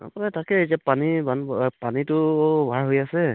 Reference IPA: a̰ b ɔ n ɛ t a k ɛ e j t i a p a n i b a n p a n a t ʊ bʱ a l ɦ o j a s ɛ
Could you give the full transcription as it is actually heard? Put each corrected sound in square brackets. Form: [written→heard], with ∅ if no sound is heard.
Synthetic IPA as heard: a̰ [b→p] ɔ n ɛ t a k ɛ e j t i a p a n i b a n p a n [a→i] t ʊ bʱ a [l→ɹ] ɦ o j a s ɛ